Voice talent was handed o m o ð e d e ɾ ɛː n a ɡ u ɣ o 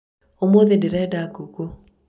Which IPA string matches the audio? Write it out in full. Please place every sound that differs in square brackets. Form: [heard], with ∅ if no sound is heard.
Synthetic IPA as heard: o m o ð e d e ɾ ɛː [d] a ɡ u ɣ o